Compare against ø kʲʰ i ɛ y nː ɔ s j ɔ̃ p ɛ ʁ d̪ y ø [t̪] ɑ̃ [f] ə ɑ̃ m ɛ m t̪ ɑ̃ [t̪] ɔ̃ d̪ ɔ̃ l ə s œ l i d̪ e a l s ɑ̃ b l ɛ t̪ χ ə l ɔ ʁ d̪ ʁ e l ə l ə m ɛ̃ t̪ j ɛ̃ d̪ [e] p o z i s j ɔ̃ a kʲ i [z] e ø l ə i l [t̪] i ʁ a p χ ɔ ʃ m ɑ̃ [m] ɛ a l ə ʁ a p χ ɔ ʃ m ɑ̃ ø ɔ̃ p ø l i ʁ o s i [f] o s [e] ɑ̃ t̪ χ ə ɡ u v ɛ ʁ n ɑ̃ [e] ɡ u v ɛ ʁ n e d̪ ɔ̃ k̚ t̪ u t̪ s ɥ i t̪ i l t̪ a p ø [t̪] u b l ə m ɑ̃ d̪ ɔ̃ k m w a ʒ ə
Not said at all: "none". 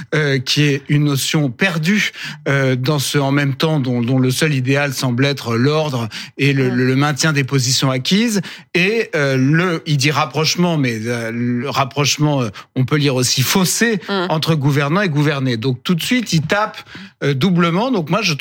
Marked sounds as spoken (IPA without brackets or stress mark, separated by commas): d̪, s, d̪, e, z, d̪, m, f, e, e, d̪